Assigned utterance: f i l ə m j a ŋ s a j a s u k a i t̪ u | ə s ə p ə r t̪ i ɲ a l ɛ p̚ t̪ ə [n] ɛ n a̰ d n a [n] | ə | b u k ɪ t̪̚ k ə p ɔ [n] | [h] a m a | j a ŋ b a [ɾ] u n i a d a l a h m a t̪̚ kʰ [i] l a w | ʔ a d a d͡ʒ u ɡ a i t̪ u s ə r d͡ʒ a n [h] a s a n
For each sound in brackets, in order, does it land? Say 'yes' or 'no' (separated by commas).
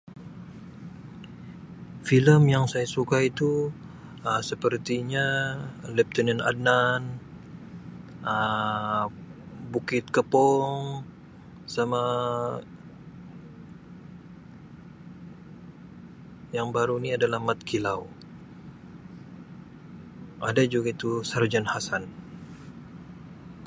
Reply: yes, yes, no, no, yes, yes, yes